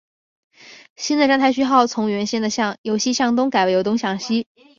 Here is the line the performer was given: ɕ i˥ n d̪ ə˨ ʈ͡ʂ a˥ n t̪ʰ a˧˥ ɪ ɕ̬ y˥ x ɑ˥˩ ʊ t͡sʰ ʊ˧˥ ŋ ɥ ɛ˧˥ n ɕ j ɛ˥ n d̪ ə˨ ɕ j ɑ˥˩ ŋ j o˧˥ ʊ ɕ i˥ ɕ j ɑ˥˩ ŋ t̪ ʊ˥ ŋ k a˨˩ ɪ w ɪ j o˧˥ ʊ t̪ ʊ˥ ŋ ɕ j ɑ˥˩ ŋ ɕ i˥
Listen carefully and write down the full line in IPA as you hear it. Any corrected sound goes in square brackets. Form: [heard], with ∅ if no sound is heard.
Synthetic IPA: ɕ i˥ n d̪ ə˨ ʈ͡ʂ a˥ n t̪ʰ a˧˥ ɪ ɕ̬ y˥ x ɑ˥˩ ʊ t͡sʰ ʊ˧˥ ŋ ɥ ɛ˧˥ n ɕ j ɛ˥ n d̪ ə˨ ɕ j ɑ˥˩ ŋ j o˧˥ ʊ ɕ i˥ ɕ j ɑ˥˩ ŋ t̪ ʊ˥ ŋ k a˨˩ ɪ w ɪ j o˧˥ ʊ t̪ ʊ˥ ŋ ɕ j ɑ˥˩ ŋ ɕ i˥

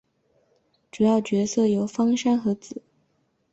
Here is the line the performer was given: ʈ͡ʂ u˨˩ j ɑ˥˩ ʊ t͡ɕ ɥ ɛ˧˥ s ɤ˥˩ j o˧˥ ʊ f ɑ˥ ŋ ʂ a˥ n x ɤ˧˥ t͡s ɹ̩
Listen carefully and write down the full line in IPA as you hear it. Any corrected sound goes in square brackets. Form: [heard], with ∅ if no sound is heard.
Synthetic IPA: ʈ͡ʂ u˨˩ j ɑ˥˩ ʊ t͡ɕ ɥ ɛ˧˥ s ɤ˥˩ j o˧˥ ʊ f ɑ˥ ŋ ʂ a˥ n x ɤ˧˥ t͡s ɹ̩

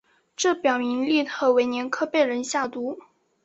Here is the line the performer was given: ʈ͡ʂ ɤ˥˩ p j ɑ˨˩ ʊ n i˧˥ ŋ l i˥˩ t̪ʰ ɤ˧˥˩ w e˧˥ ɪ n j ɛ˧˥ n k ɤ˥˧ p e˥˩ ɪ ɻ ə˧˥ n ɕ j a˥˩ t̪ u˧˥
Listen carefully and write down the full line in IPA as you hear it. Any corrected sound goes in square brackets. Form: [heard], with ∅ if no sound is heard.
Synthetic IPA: ʈ͡ʂ ɤ˥˩ p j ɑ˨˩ ʊ [m] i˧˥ ŋ l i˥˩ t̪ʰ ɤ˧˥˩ w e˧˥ ɪ n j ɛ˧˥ n [kʰ] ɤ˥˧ p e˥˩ ɪ ɻ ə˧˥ n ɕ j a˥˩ t̪ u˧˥

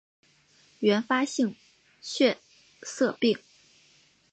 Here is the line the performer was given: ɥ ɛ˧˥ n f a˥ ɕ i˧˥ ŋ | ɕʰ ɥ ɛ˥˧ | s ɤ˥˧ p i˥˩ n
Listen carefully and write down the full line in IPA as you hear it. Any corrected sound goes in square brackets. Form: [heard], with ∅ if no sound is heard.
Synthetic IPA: ɥ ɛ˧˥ n f a˥ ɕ [i˥˧] ŋ | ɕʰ ɥ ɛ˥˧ | s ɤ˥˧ p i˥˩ [ŋ]

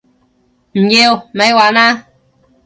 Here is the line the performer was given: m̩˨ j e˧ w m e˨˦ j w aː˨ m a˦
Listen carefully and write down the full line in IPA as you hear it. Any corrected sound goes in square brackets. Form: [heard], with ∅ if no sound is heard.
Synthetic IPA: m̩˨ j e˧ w m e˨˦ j w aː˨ [n] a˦

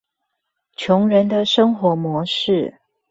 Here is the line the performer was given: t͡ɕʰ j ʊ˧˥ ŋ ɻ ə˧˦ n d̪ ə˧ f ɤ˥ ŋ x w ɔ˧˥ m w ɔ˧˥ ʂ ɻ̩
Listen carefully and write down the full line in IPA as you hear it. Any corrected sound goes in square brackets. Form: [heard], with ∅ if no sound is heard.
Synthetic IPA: t͡ɕʰ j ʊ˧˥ ŋ ɻ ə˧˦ n d̪ ə˧ [ʂ] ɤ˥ ŋ x w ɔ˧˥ m w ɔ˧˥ ʂ ɻ̩

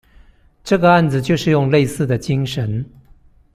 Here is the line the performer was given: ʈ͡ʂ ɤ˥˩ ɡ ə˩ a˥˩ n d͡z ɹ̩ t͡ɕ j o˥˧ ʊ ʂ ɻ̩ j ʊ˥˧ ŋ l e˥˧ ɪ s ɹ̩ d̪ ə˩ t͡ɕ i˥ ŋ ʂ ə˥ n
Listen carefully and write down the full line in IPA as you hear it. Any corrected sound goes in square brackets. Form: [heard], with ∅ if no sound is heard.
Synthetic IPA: ʈ͡ʂ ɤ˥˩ ɡ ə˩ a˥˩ n d͡z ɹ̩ t͡ɕ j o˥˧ ʊ ʂ ɻ̩ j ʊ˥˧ ŋ l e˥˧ ɪ s ɹ̩ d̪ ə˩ t͡ɕ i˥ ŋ ʂ [ə˧˥] n

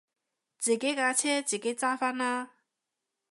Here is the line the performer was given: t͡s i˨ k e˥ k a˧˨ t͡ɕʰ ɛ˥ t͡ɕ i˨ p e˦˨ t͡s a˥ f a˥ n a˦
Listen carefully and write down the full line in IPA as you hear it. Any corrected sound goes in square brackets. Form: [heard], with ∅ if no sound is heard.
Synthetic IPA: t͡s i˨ k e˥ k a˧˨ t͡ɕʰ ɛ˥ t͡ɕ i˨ [k] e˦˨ t͡s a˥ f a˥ n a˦

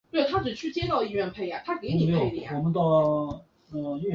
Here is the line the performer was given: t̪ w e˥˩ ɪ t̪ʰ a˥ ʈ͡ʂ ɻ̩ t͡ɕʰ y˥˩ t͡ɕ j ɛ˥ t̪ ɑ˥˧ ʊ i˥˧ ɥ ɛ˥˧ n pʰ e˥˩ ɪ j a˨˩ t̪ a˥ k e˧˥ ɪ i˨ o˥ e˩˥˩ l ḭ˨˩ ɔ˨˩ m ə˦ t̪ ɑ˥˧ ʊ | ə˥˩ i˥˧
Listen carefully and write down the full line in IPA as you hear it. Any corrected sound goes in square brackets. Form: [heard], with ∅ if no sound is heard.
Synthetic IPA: t̪ w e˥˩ ɪ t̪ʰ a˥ ʈ͡ʂ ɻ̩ t͡ɕʰ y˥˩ t͡ɕ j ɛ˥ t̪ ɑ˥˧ ʊ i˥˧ ɥ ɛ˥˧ n pʰ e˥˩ ɪ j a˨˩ [t̪ʰ] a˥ k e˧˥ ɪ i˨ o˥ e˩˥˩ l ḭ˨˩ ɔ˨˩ m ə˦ t̪ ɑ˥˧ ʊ | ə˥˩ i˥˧

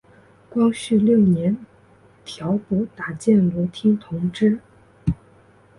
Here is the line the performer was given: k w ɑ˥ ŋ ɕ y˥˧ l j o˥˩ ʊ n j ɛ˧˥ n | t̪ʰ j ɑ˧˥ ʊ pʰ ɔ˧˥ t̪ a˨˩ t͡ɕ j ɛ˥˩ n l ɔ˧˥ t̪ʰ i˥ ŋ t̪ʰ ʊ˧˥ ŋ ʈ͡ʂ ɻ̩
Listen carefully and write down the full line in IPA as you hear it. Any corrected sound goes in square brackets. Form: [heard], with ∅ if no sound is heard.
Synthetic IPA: k w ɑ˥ ŋ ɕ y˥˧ l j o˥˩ ʊ n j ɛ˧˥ n | t̪ʰ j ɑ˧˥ ʊ [p] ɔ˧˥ t̪ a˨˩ t͡ɕ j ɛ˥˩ n l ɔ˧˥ t̪ʰ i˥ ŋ t̪ʰ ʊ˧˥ ŋ ʈ͡ʂ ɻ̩

